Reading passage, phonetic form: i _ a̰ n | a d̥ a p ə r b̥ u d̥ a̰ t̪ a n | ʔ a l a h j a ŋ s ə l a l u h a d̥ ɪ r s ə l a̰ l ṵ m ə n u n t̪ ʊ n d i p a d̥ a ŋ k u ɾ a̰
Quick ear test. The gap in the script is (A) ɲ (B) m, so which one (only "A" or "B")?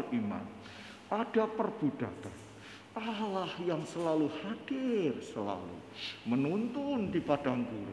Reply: B